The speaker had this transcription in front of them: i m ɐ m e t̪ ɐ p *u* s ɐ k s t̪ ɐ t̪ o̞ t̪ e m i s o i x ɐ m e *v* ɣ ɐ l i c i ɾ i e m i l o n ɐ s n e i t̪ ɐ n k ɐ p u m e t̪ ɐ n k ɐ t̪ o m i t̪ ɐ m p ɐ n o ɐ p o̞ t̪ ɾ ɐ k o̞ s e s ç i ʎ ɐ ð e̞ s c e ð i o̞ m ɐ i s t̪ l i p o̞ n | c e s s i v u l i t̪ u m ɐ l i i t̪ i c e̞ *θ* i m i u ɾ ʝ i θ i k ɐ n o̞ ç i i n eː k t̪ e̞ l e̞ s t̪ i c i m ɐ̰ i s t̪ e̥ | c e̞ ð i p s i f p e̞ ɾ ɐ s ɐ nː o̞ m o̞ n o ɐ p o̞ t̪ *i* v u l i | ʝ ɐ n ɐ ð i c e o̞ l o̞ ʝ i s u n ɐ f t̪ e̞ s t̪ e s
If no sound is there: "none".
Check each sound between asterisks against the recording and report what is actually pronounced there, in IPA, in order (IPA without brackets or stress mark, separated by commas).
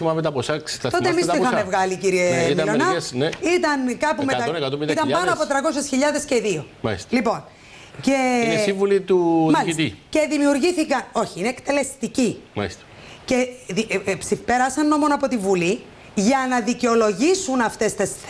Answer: o, v, ð, i